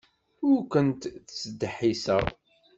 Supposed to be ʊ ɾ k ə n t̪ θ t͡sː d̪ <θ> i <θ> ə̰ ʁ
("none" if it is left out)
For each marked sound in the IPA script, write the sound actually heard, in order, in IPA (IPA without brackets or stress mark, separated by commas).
ħ, s